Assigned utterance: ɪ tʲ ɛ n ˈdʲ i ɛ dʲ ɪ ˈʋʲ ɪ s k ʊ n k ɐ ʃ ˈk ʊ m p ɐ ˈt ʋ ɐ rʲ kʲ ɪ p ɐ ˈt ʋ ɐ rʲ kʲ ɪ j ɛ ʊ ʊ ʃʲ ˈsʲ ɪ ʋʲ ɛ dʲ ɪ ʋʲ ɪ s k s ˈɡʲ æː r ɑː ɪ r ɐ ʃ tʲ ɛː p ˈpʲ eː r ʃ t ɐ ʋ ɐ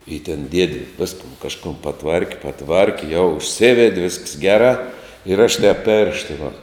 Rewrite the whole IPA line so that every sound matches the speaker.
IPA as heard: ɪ tʲ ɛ n ˈdʲ i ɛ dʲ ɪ ˈʋʲ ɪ s k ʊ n k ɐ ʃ ˈk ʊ m p ɐ ˈt ʋ ɐ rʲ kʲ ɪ p ɐ ˈt ʋ ɐ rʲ kʲ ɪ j ɛ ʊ ʊ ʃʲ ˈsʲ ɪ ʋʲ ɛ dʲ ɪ ʋʲ ɪ s k s ˈɡʲ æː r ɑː ɪ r ɐ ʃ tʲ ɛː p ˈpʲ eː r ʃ t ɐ ʋ ɐ